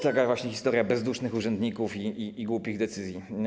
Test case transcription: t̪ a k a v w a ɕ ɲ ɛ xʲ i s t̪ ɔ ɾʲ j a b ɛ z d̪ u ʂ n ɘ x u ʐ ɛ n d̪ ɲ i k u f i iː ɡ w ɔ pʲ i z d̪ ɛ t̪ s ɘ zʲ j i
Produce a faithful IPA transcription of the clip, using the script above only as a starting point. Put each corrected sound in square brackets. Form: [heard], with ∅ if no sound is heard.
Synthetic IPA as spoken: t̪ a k a v w a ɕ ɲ ɛ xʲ i s t̪ ɔ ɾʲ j a b ɛ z d̪ u ʂ n ɘ x u ʐ ɛ n d̪ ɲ i k u f i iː ɡ w [u] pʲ i [ɣ] d̪ ɛ t̪ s ɘ zʲ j i